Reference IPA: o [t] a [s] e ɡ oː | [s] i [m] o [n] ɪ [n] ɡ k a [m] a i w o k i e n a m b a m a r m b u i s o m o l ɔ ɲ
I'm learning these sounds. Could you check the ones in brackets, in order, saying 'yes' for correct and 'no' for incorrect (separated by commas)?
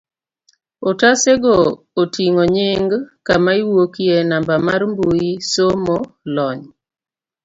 yes, yes, no, no, no, no, yes